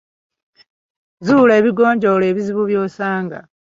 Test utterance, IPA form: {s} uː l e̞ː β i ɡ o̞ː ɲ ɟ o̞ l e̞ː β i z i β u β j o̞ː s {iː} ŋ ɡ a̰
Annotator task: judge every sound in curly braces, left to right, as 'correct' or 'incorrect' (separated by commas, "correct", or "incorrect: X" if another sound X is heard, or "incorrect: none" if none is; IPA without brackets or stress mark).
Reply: incorrect: z, incorrect: aː